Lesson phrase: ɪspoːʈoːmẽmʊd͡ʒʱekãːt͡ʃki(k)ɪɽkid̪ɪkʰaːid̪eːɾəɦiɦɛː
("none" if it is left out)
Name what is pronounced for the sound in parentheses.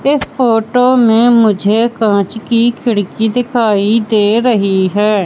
kʰ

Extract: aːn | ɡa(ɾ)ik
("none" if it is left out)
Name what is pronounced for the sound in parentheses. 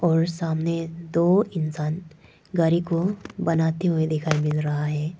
ɾ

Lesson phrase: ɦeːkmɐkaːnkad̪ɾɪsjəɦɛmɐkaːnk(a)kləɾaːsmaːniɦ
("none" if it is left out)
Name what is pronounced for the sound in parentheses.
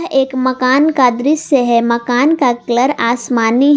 a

